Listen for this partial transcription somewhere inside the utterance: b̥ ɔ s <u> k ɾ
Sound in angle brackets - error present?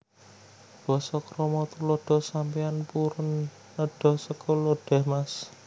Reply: yes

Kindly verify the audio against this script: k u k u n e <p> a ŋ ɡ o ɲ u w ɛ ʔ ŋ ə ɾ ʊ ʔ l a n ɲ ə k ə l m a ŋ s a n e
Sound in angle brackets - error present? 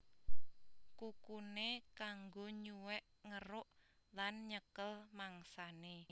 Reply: yes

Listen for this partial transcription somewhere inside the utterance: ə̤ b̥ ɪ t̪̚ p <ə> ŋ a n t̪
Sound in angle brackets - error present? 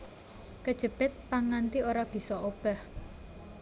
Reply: yes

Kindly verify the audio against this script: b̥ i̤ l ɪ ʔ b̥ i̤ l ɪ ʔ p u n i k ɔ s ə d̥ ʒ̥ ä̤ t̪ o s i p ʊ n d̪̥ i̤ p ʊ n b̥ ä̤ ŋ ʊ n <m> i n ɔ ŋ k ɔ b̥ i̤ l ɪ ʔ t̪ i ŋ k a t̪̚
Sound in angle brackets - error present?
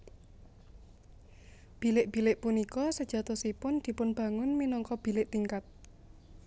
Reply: no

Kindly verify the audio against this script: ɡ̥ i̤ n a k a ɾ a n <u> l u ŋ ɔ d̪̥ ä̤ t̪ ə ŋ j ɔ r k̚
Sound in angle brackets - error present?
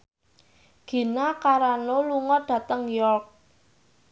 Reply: yes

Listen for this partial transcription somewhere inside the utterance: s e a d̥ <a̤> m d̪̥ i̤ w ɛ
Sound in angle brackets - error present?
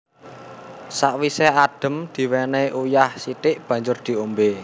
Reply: yes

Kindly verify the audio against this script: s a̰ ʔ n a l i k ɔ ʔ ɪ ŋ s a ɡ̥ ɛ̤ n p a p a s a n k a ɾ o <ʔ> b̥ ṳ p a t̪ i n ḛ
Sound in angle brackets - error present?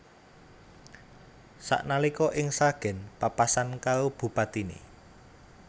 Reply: yes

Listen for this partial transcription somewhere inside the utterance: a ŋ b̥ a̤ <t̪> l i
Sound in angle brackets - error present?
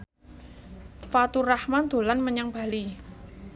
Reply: yes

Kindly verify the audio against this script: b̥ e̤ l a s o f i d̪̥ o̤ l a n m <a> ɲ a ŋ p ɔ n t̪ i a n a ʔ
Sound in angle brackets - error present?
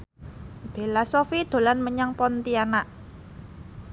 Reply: yes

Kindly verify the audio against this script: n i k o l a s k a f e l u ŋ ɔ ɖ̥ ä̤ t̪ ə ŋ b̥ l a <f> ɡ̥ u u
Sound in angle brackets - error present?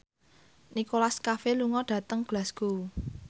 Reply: yes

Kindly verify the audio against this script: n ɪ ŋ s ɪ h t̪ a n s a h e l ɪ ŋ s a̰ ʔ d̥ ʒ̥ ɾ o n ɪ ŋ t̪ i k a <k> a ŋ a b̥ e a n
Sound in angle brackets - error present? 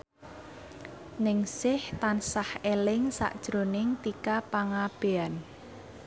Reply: yes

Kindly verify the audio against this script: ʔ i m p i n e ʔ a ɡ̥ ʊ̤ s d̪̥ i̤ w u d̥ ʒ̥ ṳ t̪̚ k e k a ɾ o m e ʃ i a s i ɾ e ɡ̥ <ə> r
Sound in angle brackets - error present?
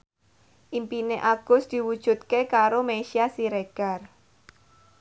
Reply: yes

